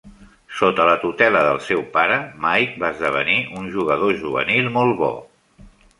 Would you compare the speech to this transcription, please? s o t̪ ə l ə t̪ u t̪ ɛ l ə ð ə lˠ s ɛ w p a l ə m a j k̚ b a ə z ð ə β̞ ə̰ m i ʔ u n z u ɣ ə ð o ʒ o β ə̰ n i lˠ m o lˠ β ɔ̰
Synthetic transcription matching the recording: s o t̪ ə l ə t̪ u t̪ ɛ l ə ð ə lˠ s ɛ w p a ɾ ə m a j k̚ b a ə z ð ə β̞ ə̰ n i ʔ u n ʒ u ɣ ə ð o ʒ u β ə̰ n i lˠ m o lˠ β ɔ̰